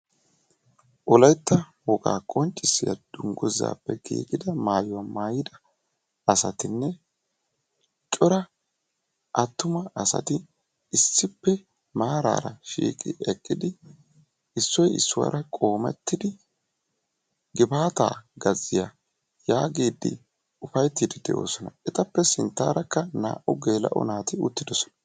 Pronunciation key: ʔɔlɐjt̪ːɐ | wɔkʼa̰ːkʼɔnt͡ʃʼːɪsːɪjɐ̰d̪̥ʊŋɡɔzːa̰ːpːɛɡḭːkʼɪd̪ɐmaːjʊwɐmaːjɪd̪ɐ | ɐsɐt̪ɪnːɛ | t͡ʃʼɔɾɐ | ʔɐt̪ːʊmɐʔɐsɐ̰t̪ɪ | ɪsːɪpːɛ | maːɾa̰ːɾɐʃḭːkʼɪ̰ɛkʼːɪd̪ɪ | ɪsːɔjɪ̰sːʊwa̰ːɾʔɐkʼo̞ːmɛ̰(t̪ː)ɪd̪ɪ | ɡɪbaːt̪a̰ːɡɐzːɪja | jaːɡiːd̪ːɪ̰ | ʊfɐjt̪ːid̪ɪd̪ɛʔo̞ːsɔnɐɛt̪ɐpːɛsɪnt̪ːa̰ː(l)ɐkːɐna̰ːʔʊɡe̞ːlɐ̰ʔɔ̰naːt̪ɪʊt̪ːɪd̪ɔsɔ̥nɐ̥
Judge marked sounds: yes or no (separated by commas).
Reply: yes, no